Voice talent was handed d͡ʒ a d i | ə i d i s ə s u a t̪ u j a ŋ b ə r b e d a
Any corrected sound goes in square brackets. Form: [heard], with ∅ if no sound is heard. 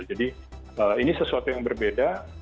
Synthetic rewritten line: d͡ʒ a d i | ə i [n] i s ə s u a t̪ u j a ŋ b ə r b e d a